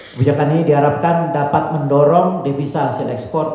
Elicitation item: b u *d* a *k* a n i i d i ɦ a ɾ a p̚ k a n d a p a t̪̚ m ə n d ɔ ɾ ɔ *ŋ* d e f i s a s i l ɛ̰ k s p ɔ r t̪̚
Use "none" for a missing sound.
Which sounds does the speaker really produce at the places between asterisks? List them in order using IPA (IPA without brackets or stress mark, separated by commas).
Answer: d͡ʒ, k, ŋ